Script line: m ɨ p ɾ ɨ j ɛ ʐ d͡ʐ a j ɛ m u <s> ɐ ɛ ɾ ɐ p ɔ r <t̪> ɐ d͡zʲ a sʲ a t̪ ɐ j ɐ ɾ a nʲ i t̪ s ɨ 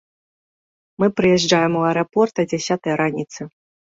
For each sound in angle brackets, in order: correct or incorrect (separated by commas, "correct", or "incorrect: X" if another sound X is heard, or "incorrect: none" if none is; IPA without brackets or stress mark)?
incorrect: none, correct